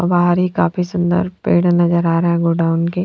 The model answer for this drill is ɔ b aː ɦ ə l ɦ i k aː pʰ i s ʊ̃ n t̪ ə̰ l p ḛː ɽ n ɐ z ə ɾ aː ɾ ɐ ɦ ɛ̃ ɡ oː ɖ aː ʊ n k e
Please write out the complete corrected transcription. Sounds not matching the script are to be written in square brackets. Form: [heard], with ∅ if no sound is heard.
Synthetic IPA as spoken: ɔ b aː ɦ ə [ɾ] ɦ i k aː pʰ i s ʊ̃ n [d̪] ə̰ [ɾ] p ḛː ɽ n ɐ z ə ɾ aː ɾ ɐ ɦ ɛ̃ ɡ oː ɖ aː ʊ n k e